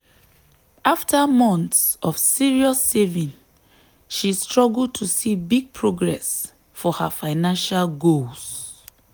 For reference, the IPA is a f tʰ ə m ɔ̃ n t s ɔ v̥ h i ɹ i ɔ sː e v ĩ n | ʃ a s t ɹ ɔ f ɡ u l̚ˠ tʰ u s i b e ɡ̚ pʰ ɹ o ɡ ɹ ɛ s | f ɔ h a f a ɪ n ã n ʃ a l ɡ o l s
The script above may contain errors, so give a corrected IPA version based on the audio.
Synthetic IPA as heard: a f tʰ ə m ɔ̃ n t s ɔ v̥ s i ɹ i ɔ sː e v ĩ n | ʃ i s t ɹ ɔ ɡ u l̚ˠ tʰ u s i b i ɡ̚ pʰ ɹ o ɡ ɹ ɛ s | f ɔ h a f a ɪ n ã n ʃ a l ɡ o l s

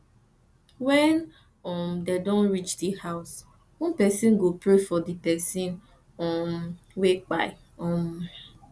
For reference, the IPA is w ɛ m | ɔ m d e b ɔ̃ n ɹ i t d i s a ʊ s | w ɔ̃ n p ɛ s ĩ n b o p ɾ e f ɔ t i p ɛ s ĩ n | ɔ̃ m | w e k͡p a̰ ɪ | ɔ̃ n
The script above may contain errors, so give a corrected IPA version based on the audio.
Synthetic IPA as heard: w ɛ n | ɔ m d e d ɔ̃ n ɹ i t͡ʃ d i h a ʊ s | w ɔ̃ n p ɛ s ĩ n ɡ o p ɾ e f ɔ d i p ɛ s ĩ n | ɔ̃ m | w e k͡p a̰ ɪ | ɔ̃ m

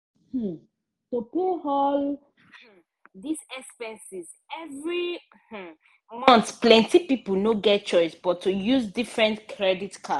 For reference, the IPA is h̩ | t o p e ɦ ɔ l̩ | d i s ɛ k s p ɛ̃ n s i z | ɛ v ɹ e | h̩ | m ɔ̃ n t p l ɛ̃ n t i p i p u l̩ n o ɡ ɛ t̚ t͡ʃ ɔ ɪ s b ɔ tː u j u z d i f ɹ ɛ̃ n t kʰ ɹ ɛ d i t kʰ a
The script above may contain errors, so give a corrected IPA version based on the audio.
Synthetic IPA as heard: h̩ | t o p e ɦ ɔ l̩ | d i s ɛ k s p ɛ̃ n s i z | ɛ v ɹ i | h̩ | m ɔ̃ n t p l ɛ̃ n t i p i p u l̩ n o ɡ ɛ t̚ t͡ʃ ɔ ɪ s b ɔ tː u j u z d i f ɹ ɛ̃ n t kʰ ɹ ɛ d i t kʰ a

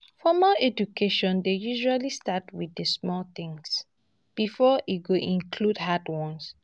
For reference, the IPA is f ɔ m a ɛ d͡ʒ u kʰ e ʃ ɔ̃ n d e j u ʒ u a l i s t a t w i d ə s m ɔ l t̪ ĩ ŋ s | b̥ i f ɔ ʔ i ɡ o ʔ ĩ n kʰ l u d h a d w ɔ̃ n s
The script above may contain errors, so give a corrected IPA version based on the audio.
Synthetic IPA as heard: f ɔ m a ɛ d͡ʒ u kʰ e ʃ ɔ̃ n d e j u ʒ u a l i s t a t w i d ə s m ɔ l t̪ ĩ ŋ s | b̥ i f ɔ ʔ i ɡ o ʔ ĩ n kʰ l u d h a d w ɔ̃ n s

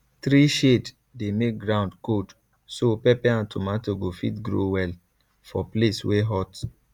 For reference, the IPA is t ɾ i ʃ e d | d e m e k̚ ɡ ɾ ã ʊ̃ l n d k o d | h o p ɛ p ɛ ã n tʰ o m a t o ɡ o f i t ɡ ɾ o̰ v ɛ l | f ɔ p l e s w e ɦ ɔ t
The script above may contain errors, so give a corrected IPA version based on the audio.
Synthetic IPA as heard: t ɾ i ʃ e d | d e m e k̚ ɡ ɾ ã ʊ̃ n d k o d | s o p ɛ p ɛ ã n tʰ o m a t o ɡ o f i t ɡ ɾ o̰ w ɛ l | f ɔ p l e s w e ɦ ɔ t

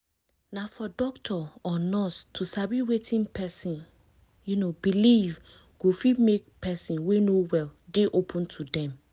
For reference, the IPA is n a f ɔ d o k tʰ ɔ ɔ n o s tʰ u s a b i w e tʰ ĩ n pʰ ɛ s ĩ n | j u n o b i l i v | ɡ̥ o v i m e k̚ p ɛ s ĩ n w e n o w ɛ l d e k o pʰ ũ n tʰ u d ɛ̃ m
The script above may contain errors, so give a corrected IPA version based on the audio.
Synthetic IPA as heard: n a f ɔ d ɔ k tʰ ɔ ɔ n ɔ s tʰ u s a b i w e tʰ ĩ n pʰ ɛ s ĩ n | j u n o b i l i v | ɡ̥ o f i m e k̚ p ɛ s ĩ n w e n o w ɛ l d e ʔ o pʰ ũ n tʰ u d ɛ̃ m

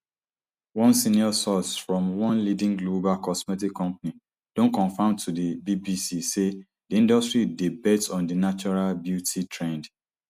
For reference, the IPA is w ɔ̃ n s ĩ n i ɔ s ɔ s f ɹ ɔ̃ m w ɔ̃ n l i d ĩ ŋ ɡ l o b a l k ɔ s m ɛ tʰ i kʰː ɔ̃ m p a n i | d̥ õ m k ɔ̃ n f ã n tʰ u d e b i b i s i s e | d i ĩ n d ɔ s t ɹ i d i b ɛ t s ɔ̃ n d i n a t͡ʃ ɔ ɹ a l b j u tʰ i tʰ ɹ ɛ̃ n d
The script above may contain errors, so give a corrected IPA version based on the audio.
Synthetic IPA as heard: w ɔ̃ n s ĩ n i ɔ s ɔ s f ɹ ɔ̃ m w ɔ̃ n l i d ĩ ŋ ɡ l o b a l k ɔ s m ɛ t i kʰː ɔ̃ m p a n i | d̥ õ n k ɔ̃ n f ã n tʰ u d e b i b i s i s e | d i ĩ n d ɔ s t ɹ i d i b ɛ t s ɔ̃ n d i n a t͡ʃ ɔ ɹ a l b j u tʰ i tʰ ɹ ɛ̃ n d

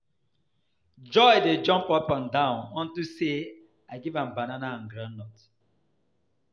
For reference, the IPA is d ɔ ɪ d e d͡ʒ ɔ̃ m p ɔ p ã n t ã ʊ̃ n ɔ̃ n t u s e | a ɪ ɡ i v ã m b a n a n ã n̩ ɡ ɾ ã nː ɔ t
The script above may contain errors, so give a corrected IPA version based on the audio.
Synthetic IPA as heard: d͡ʒ ɔ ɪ d e d͡ʒ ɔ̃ m p ɔ p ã n d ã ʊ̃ n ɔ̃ n t u s e | a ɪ ɡ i v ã m b a n a n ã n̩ ɡ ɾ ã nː ɔ t

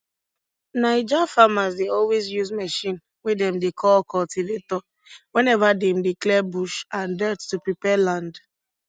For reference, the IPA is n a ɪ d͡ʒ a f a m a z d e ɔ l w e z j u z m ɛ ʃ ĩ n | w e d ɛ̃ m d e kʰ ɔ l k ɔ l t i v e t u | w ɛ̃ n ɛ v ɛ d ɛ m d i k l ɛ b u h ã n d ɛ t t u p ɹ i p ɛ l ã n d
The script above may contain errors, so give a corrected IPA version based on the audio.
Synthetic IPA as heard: n a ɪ d͡ʒ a f a m a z d e ɔ l w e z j u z m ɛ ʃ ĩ n | w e d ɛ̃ m d e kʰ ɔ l k ɔ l t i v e t ɔ | w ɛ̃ n ɛ v a d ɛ m d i k l ɛ b u ʃ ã n d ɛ t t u p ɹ i p ɛ l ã n d

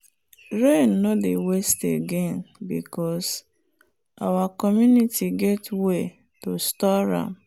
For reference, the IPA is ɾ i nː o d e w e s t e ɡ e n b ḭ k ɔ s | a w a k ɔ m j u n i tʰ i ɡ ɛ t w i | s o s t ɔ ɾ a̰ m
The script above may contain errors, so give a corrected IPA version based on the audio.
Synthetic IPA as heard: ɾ e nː o d e w e s t e ɡ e n b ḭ k ɔ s | a w a k ɔ m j u n i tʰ i ɡ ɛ t w e | t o s t ɔ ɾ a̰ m

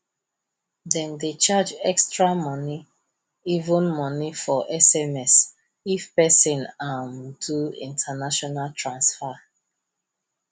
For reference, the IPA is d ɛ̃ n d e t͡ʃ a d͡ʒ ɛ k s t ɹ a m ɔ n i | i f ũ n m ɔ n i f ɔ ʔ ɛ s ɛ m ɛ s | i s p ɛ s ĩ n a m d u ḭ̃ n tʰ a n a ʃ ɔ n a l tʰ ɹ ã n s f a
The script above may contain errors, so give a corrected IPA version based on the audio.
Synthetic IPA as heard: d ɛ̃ n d e t͡ʃ a d͡ʒ ɛ k s t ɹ a m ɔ n i | i v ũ n m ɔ n i f ɔ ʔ ɛ s ɛ m ɛ s | i f p ɛ s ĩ n a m d u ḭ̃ n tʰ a n a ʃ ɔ n a l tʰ ɹ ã n s f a

